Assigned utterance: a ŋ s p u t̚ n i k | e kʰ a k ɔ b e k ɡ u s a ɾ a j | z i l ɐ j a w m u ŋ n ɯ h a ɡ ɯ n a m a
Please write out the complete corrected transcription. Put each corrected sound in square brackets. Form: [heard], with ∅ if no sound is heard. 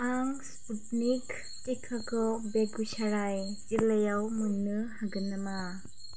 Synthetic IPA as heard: a ŋ s p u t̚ n i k | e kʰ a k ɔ b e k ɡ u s a ɾ a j | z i l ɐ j a w m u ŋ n ɯ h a ɡ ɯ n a m a

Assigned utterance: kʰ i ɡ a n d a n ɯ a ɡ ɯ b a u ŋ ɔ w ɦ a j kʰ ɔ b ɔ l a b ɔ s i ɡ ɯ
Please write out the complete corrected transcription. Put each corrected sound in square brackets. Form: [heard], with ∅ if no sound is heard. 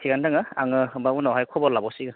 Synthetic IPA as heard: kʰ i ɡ a n d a [ŋ] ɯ a [ŋ] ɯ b a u [n] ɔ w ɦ a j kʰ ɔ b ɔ l a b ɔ s i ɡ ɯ

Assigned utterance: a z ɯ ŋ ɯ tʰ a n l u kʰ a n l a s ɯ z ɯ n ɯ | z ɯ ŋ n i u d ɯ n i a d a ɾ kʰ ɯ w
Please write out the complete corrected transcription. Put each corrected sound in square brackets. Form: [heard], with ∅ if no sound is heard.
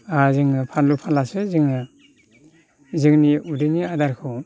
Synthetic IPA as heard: a z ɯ ŋ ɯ [pʰ] a n l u [pʰ] a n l a s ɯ z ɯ [ŋ] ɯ | z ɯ ŋ n i u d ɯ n i a d a ɾ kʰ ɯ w

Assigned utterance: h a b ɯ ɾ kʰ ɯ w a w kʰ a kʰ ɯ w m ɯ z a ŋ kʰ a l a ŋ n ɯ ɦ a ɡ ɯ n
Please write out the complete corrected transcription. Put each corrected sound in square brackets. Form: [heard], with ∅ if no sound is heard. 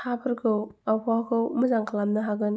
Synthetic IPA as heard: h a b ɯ ɾ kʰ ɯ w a w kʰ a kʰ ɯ w m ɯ z a ŋ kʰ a l a [m] n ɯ ɦ a ɡ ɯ n

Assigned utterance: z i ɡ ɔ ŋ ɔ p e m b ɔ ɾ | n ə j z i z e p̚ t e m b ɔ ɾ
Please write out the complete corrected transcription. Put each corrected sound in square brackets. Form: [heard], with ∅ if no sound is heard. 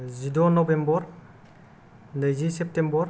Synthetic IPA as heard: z i [d] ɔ [n] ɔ [b] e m b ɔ ɾ | n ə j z i [s] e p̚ t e m b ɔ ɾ

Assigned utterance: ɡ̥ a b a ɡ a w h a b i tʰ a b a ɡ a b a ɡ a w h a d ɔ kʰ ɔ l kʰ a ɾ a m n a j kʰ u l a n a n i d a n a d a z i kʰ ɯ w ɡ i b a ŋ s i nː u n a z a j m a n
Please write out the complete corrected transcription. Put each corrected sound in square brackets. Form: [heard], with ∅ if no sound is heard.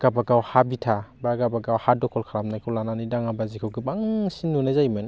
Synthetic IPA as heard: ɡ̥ a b a ɡ a w h a b i tʰ a b a ɡ a b a ɡ a w h a d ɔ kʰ ɔ l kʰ a ɾ a m n a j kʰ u l a n a n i d a [ŋ] a [b] a z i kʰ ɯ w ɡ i b a ŋ s i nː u n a z a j m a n

